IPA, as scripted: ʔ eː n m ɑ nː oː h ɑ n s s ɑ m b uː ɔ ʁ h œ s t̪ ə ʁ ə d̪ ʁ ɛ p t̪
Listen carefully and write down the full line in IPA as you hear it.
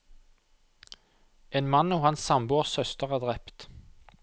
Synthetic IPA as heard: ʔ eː n m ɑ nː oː h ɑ n s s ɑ m b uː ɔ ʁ s œ s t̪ ə ʁ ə d̪ ʁ ɛ p t̪